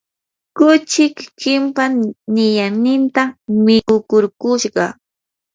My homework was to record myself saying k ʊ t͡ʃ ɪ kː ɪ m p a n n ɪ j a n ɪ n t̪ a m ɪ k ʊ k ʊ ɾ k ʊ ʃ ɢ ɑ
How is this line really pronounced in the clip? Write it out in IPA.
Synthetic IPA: k ʊ t͡ʃ ɪ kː ɪ m p a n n ɪ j a n ɪ n t̪ a m ɪ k ʊ k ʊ ɾ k ʊ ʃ ɢ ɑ

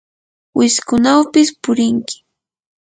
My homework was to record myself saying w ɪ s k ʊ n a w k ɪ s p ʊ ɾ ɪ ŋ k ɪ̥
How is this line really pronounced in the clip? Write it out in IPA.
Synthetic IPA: w ɪ s k ʊ n a w p ɪ s p ʊ ɾ ɪ ŋ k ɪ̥

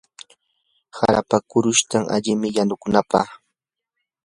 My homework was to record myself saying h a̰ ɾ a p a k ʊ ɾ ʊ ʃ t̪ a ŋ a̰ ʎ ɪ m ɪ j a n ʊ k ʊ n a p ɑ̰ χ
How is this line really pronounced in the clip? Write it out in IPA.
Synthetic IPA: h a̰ ɾ a p a k ʊ ɾ ʊ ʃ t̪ a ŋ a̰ ʎ ɪ m ɪ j a n ʊ k ʊ n a p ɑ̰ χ

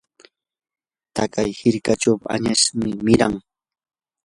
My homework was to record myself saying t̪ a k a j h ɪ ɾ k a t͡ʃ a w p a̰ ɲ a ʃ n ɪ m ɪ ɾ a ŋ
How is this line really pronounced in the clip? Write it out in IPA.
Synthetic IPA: t̪ a k a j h ɪ ɾ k a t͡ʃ a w p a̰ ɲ a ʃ m ɪ m ɪ ɾ a ŋ

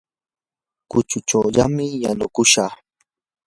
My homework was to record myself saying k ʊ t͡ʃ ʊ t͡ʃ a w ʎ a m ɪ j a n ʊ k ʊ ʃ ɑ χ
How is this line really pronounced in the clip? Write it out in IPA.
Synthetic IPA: k ʊ t͡ʃ ʊ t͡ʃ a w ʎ a m ɪ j a n ʊ k ʊ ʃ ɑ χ

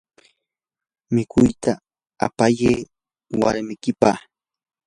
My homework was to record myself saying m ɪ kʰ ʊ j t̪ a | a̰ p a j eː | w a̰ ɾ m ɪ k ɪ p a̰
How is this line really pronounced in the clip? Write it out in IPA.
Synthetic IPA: m ɪ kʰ ʊ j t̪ a | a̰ p a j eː | w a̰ ɾ m ɪ k ɪ p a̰

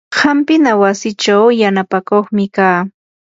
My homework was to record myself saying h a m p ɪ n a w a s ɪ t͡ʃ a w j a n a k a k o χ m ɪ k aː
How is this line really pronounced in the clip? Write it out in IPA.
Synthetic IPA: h a m p ɪ n a w a s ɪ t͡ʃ a w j a n a p a k o χ m ɪ k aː

